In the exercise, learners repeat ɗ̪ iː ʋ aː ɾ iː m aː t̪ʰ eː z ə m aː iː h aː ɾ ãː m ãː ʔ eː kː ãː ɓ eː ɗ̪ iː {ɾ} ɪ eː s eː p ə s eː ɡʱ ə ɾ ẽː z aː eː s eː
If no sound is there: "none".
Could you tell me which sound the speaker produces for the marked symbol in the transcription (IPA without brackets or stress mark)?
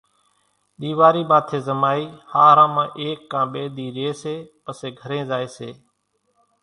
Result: ɾ